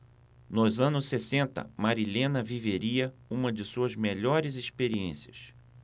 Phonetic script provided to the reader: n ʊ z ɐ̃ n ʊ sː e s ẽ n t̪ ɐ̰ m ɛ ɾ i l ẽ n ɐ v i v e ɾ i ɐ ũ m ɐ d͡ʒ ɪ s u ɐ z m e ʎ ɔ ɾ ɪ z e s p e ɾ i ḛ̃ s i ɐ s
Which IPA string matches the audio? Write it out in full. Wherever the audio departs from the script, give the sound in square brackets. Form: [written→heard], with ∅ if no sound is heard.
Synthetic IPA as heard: n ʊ z ɐ̃ n ʊ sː e s ẽ n t̪ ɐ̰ m [ɛ→a] ɾ i l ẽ n ɐ v i v e ɾ i ɐ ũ m ɐ d͡ʒ ɪ s u ɐ z m e ʎ ɔ ɾ ɪ z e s p e ɾ i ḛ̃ s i ɐ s